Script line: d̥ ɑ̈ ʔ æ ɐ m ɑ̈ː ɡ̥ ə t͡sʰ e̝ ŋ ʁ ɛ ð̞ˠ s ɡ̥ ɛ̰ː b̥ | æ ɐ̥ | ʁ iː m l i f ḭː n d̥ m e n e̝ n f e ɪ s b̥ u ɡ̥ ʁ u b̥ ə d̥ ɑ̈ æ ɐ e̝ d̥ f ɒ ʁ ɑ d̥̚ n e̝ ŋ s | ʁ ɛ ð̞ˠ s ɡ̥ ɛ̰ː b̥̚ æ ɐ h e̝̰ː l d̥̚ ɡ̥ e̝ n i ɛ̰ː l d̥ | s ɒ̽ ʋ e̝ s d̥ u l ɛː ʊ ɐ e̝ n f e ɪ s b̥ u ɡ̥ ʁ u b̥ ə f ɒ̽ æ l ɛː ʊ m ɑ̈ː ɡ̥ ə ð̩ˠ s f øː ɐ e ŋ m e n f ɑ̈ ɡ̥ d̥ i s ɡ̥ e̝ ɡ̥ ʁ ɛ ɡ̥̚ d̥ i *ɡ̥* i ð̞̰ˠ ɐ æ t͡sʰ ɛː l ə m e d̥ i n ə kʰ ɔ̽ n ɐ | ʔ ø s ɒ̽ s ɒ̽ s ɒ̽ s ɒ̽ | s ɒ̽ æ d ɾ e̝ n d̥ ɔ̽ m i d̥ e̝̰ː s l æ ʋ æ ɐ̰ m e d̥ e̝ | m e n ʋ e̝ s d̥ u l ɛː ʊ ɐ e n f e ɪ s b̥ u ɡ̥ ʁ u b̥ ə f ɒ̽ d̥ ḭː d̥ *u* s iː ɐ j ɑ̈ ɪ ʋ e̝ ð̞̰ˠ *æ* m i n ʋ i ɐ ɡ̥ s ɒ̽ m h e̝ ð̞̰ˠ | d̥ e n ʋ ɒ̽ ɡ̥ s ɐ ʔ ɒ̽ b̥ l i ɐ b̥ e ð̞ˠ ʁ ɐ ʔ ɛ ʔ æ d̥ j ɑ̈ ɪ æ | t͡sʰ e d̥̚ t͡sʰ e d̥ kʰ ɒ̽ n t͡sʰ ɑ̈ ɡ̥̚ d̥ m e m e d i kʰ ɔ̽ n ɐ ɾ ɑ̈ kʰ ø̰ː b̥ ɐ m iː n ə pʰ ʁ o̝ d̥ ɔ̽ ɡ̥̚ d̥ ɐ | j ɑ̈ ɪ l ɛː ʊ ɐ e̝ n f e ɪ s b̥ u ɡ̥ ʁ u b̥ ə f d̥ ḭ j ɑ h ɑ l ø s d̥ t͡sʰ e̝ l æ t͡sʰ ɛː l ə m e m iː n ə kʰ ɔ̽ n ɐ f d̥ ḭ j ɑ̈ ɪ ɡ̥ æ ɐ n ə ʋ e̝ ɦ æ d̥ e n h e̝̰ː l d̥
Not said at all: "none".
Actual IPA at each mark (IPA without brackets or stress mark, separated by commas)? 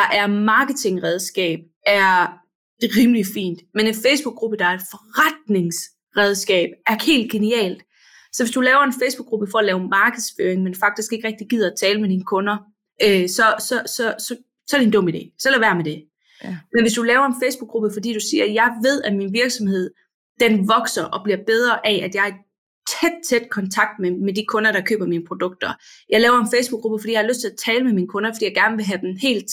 ɡ̥, u, æ